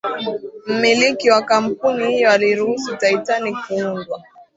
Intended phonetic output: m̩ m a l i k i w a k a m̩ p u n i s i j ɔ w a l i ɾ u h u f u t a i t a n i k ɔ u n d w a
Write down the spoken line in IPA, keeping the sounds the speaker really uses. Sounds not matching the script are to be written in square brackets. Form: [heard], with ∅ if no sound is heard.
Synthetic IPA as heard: m̩ m [i] l i k i w a k a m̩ p u n i [h] i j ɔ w a l i ɾ u h u [s] u t a i t a n i k [u] u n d w a